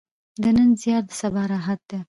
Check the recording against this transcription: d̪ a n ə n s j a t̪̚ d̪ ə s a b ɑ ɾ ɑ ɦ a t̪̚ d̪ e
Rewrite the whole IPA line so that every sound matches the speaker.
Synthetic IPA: d̪ ə n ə n z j ɑ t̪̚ d̪ ə s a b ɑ ɾ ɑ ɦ a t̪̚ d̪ e